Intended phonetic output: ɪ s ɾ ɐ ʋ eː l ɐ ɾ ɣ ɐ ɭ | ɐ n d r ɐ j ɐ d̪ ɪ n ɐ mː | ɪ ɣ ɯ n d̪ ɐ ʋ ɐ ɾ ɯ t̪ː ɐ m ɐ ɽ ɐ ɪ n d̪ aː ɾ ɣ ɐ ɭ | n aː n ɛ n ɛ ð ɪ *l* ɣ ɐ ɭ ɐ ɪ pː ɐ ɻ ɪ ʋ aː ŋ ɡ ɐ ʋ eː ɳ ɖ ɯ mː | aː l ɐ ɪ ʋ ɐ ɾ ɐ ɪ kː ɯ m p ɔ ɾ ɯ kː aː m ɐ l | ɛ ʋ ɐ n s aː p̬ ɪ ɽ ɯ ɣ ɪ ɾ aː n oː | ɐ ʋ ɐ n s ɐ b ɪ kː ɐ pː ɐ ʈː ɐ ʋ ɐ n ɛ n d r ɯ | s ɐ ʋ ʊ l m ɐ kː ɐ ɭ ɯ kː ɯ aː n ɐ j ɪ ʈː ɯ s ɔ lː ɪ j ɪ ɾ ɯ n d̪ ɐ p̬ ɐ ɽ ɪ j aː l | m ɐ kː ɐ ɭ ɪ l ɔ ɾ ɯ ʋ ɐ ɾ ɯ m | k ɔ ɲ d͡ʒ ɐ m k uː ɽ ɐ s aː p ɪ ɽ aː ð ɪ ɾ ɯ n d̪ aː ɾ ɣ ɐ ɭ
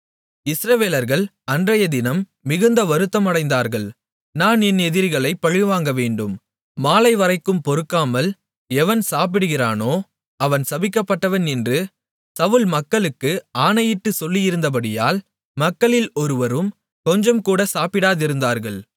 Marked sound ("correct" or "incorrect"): incorrect